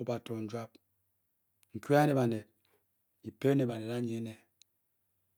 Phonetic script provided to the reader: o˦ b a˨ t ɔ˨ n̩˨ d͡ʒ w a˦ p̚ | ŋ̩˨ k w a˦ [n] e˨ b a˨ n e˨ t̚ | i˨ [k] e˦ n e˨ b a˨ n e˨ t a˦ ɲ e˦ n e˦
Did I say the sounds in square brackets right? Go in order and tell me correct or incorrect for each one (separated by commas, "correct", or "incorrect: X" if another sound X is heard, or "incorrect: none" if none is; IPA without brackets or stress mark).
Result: correct, incorrect: p